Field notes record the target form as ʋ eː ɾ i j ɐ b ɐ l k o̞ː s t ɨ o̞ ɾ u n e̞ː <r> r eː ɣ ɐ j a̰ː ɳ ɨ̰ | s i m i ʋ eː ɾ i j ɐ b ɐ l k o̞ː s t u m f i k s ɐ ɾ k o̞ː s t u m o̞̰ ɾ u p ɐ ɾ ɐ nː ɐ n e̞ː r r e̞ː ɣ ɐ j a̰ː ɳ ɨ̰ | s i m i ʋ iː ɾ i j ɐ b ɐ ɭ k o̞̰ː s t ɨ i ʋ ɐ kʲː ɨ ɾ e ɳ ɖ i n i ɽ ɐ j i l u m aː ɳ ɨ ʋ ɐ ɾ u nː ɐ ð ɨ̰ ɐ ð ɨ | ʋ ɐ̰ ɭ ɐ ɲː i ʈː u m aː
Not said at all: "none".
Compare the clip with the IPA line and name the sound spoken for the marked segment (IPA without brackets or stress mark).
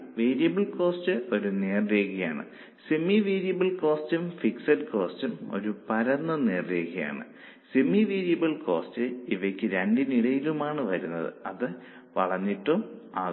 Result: r